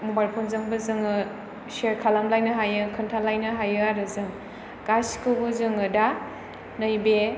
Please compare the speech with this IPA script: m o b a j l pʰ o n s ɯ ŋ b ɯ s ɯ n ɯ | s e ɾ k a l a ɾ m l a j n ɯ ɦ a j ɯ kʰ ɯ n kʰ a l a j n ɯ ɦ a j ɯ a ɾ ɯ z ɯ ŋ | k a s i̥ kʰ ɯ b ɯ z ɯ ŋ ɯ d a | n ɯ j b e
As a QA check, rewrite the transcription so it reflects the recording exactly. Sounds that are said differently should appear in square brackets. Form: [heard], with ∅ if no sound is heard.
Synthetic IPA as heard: m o b a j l pʰ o n [z] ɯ ŋ b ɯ [z] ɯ [ŋ] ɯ | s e ɾ [kʰ] a l a [∅] m l a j n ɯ ɦ a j ɯ kʰ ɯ n [tʰ] a l a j n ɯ ɦ a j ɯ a ɾ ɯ z ɯ ŋ | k a s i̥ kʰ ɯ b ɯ z ɯ ŋ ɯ d a | n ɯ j b e